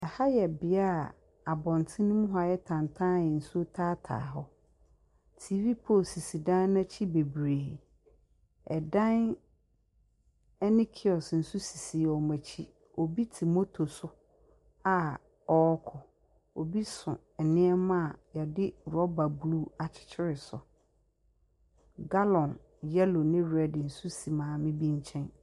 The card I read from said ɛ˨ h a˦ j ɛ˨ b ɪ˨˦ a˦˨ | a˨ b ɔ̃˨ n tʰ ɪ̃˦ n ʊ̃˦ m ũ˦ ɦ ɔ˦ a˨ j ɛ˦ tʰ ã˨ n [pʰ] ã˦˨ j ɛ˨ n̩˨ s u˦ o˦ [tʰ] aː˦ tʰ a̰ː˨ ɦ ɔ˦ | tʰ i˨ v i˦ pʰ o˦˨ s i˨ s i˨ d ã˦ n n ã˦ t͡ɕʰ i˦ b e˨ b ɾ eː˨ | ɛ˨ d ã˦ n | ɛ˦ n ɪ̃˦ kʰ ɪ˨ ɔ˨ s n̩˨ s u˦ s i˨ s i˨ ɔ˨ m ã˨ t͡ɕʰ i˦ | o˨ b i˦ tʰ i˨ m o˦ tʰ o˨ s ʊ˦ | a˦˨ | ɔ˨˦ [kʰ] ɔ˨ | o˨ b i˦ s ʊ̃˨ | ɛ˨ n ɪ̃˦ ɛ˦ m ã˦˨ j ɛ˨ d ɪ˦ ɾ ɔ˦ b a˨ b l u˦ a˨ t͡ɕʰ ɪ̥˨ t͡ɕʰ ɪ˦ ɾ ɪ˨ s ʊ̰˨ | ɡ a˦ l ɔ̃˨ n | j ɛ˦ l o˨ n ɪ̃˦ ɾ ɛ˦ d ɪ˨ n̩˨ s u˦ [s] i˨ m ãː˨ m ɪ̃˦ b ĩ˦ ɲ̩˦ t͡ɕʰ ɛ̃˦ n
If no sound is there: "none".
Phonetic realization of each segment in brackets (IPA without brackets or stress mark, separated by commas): tʰ, tʰ, kʰ, s